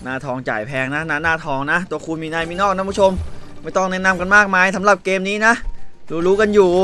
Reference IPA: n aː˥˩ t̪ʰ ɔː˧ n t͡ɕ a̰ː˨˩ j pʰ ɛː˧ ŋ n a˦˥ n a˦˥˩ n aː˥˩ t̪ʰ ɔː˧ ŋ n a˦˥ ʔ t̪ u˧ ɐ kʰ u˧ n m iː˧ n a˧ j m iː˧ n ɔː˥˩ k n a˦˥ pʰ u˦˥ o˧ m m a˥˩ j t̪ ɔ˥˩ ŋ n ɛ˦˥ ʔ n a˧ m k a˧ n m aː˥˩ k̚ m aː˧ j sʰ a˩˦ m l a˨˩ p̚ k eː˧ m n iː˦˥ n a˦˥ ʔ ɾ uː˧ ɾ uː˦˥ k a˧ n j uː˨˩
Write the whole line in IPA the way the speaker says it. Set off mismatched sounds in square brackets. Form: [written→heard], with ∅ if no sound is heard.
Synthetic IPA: n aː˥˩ t̪ʰ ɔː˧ [n→ŋ] t͡ɕ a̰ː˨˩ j pʰ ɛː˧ ŋ n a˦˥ n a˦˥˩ n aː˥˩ t̪ʰ ɔː˧ ŋ n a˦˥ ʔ t̪ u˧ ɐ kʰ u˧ n m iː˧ n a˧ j m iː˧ n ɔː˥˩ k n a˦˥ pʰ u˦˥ o˧ m m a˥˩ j t̪ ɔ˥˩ ŋ n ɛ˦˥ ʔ n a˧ m k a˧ n m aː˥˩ k̚ m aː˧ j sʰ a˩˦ m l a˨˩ p̚ k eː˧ m n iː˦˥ n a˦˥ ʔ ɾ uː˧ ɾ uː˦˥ k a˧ n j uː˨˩